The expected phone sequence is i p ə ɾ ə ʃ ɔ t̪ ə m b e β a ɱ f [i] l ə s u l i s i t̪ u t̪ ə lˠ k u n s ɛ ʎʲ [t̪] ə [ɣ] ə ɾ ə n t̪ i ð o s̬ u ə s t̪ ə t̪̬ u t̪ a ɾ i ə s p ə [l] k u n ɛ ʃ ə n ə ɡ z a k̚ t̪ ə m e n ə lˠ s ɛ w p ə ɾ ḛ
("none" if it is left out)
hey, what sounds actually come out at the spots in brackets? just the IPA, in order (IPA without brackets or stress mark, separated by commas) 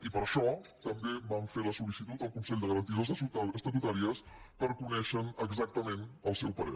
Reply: e, d̪, ɣ, ɾ